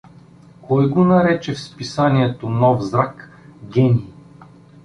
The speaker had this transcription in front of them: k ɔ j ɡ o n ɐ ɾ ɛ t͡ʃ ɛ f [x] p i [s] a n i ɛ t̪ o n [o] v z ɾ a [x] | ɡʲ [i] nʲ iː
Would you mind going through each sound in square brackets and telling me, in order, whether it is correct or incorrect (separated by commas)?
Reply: incorrect, correct, incorrect, incorrect, incorrect